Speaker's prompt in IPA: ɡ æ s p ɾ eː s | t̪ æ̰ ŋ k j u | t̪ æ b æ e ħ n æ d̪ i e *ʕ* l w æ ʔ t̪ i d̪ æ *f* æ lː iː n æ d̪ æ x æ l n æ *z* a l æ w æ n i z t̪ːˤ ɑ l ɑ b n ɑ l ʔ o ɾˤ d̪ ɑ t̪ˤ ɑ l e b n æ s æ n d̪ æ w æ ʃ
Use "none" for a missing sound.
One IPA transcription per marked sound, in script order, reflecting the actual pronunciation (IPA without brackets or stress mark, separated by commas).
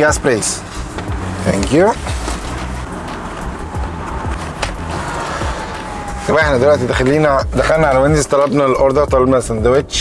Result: none, x, ʕ